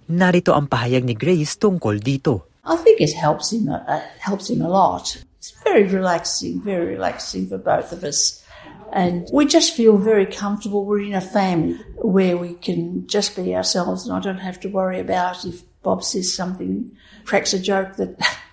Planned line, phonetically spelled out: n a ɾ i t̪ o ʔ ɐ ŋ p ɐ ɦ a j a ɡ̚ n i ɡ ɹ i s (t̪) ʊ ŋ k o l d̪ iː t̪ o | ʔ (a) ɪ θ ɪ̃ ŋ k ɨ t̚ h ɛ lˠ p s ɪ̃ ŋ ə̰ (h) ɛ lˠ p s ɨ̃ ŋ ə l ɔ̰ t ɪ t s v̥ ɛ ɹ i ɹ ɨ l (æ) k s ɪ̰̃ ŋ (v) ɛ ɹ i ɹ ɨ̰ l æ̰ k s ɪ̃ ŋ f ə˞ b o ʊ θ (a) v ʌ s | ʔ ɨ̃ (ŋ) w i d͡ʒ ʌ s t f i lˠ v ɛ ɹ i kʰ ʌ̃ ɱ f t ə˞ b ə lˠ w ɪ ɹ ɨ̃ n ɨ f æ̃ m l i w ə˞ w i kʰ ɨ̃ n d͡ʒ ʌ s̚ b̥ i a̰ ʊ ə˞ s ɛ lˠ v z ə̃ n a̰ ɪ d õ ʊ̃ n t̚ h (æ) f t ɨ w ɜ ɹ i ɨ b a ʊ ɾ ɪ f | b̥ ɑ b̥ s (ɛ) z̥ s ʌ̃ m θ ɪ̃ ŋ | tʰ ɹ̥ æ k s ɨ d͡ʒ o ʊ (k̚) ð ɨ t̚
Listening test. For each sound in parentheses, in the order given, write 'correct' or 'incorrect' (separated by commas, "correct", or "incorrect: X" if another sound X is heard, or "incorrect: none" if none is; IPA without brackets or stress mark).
correct, correct, correct, correct, correct, incorrect: ʌ, incorrect: n, correct, correct, correct